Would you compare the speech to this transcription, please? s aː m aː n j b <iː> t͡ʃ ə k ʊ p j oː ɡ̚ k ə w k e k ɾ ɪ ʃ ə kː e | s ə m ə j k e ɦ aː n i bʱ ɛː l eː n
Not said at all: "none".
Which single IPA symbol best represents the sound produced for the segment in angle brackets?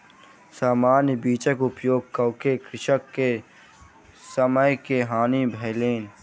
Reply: iː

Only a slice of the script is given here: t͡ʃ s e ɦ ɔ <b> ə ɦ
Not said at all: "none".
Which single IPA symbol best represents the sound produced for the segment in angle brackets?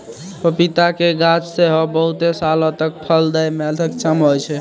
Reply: b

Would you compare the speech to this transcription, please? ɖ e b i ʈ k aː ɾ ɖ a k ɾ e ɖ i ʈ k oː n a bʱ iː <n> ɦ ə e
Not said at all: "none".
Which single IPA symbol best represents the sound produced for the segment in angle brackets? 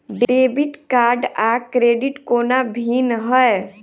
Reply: n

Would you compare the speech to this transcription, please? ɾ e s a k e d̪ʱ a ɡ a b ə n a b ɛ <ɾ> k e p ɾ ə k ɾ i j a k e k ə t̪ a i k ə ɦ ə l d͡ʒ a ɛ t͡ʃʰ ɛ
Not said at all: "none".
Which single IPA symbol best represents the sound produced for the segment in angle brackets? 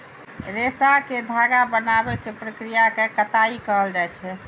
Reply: none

